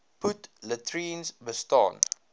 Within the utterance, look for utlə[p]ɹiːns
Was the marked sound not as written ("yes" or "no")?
yes